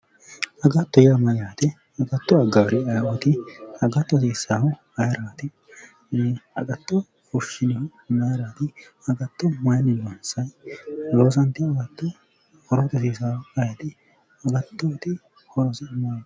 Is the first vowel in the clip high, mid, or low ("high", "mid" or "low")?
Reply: low